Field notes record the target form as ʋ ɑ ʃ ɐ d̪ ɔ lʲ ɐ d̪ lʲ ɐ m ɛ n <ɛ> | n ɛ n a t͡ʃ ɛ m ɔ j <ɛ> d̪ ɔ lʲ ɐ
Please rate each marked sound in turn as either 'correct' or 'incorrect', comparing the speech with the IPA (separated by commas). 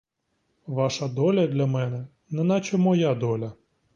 correct, incorrect